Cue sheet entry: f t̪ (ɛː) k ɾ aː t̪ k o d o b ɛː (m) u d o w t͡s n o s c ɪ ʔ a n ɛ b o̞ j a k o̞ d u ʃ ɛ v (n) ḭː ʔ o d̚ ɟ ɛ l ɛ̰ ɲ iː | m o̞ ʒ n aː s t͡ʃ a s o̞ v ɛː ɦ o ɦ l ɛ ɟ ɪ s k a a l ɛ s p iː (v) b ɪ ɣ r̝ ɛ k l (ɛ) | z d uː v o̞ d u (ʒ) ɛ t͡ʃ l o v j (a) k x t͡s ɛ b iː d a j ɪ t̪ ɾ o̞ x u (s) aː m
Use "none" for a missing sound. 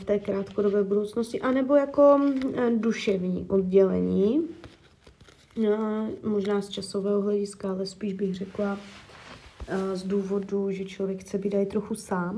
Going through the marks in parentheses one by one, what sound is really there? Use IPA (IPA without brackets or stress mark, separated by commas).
ɛː, b, ɲ, ʒ, a, ʒ, ɛ, s